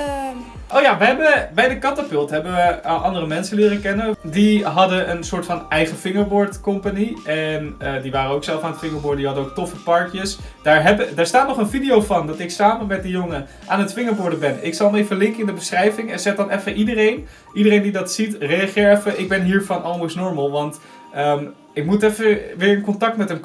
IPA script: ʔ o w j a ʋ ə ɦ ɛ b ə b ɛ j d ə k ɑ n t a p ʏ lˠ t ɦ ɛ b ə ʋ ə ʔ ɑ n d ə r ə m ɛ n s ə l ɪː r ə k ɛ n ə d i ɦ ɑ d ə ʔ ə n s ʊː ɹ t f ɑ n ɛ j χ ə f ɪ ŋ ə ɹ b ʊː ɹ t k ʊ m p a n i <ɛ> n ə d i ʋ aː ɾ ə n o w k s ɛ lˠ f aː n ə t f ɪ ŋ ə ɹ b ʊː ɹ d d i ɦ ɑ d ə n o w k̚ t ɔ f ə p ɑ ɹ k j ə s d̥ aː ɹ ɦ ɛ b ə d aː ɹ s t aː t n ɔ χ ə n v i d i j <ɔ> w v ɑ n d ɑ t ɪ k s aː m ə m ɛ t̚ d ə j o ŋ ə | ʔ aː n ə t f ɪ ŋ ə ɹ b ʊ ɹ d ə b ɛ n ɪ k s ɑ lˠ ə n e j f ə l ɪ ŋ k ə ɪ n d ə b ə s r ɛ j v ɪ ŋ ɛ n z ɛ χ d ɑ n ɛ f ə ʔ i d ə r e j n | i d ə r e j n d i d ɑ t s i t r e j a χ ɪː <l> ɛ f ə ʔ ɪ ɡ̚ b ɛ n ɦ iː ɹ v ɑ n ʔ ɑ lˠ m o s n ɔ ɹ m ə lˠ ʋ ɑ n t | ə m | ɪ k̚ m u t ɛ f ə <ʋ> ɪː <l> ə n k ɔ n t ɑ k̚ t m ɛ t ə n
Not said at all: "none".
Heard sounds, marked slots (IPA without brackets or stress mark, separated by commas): ɛ, o, ɹ, ʋ, ɹ